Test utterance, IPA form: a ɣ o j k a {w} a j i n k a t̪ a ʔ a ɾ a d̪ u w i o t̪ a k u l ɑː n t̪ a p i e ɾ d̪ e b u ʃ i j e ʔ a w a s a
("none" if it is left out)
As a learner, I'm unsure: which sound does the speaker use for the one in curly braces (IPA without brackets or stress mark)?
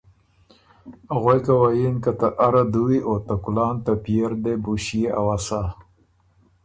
w